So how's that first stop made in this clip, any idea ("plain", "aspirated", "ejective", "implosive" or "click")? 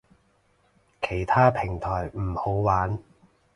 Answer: aspirated